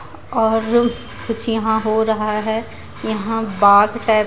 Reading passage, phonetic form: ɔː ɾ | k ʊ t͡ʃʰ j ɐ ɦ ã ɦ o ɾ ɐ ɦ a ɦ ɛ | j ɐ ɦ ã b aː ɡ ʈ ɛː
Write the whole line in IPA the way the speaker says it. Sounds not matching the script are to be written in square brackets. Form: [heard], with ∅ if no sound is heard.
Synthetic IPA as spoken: ɔː ɾ | k ʊ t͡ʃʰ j ɐ ɦ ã ɦ o ɾ ɐ ɦ a ɦ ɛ | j ɐ ɦ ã b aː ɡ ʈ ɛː